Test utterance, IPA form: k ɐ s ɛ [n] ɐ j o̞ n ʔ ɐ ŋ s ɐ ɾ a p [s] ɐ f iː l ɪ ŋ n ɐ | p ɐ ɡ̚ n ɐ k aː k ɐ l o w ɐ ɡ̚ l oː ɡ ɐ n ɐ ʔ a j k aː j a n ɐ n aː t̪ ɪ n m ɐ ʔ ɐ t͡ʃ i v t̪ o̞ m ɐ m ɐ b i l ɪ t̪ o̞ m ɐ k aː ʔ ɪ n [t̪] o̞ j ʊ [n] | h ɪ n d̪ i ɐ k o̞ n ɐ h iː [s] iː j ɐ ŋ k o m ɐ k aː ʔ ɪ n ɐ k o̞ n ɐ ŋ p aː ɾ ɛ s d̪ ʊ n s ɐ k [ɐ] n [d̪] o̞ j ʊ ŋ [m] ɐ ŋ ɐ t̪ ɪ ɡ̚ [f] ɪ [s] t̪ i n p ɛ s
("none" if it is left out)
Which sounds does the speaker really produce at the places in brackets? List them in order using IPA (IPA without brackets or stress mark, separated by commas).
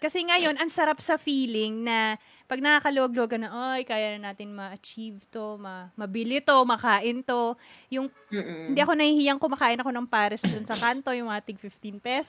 ŋ, s, t̪, ŋ, h, a, t̪, m, f, f